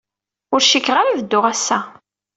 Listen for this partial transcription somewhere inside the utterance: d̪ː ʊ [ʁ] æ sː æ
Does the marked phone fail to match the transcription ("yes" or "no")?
no